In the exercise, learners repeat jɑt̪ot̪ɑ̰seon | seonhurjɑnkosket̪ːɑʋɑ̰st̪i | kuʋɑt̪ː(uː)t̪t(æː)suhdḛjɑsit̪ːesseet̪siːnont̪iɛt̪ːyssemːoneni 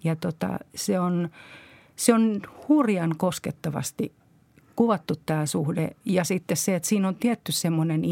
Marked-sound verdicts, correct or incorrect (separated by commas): incorrect, correct